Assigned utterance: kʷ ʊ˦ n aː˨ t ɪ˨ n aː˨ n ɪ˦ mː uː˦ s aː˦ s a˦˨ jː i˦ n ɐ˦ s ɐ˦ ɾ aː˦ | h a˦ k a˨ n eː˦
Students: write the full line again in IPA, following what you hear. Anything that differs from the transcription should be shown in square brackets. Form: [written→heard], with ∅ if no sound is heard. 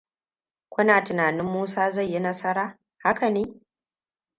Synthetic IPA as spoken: kʷ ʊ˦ n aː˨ t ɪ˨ n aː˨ n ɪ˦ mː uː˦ s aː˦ [s→z] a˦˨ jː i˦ n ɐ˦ s ɐ˦ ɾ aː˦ | h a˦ k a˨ n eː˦

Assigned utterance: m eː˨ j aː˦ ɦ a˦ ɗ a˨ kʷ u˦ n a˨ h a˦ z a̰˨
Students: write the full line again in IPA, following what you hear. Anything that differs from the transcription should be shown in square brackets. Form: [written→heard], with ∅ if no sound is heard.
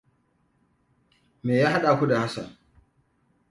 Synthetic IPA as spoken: m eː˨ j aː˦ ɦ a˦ ɗ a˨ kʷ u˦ [n→d] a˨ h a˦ [z→s] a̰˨

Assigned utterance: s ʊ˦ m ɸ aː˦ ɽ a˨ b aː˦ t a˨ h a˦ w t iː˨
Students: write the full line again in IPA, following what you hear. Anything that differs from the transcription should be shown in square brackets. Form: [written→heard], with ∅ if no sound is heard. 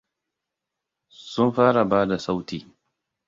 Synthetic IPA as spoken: s ʊ˦ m ɸ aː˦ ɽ a˨ b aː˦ [t→d] a˨ [h→s] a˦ w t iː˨

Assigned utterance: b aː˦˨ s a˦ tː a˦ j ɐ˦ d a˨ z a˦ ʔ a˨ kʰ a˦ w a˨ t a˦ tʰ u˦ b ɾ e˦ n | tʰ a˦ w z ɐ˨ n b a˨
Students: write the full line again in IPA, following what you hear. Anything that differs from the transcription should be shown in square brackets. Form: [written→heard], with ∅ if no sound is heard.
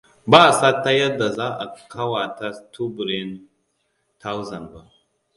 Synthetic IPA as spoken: b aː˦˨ s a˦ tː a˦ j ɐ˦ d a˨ z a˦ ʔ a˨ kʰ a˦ w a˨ t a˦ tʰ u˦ b ɾ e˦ n | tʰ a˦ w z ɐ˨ n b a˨

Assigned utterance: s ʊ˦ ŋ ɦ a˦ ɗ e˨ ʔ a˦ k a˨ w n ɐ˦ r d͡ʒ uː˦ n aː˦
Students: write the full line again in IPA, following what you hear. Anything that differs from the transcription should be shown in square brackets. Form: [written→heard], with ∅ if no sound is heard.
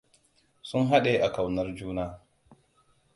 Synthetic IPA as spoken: s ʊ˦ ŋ ɦ a˦ ɗ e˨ ʔ [a˦→a˨] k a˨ w n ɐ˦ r d͡ʒ uː˦ n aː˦

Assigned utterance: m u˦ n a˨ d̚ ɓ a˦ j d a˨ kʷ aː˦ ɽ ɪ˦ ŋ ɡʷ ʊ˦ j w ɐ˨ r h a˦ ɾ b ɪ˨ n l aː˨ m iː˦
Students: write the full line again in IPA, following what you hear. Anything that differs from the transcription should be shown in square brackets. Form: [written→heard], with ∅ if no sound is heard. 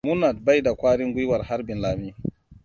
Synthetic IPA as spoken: m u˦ n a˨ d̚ [ɓ→b] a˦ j d a˨ kʷ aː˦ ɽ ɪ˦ ŋ ɡʷ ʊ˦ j w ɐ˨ r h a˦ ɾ b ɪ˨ n l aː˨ m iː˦

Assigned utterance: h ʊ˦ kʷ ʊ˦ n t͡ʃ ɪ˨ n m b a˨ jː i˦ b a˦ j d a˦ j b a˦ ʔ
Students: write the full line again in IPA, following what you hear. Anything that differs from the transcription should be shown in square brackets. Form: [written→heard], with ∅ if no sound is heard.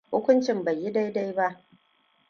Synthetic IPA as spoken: h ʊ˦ kʷ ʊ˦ n t͡ʃ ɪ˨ [n→∅] m b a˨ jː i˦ [b→d] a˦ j d a˦ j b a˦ ʔ

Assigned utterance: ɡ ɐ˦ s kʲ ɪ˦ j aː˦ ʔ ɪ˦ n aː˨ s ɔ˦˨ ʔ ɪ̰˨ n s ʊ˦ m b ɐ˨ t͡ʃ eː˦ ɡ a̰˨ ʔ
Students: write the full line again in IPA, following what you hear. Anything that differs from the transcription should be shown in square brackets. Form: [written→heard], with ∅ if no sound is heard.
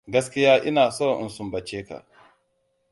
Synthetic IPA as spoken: ɡ ɐ˦ s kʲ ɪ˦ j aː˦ ʔ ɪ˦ n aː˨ s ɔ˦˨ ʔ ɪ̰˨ n s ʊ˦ m b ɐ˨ t͡ʃ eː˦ [ɡ→k] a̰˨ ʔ

